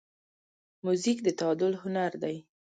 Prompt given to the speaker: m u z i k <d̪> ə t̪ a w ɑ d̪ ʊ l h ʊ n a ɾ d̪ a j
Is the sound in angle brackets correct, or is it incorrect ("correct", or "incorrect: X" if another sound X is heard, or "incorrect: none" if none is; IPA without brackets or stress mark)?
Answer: correct